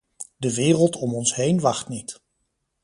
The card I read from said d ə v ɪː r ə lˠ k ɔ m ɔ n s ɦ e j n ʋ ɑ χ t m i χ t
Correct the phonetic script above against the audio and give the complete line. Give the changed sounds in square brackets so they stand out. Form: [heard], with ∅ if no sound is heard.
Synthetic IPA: d ə [ʋ] ɪː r ə lˠ [t] ɔ m ɔ n s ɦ e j n ʋ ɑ χ t [n] i [∅] t